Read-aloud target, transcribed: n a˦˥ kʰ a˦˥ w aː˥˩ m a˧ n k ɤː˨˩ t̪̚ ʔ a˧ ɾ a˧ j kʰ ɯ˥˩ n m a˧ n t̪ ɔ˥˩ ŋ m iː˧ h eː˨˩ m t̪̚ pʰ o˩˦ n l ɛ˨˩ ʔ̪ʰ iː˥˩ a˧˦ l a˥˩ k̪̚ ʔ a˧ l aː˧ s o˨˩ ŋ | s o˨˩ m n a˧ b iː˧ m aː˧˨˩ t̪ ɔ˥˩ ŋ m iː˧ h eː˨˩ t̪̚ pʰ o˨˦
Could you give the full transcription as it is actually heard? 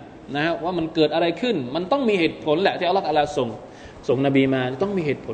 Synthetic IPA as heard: n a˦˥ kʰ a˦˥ w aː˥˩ m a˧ n k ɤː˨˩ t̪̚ ʔ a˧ ɾ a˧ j kʰ ɯ˥˩ n m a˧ n t̪ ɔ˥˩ ŋ m iː˧ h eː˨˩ t̪̚ pʰ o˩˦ n l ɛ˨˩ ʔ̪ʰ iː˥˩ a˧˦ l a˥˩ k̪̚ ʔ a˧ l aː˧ s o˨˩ ŋ | s o˨˩ ŋ n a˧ b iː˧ m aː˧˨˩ t̪ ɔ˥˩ ŋ m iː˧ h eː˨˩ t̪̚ pʰ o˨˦